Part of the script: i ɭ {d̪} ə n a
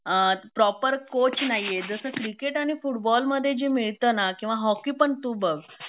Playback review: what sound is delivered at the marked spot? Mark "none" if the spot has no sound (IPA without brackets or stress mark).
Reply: t̪